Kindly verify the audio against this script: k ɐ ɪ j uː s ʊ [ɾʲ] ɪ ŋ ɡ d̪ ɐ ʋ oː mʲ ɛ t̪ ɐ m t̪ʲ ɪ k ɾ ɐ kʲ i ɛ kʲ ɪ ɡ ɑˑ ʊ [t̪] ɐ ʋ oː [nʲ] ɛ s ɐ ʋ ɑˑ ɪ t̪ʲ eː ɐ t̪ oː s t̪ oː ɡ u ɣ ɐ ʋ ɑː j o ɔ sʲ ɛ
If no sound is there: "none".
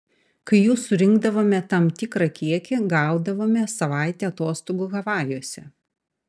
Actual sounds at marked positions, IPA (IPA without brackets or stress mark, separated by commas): ɾʲ, d̪, mʲ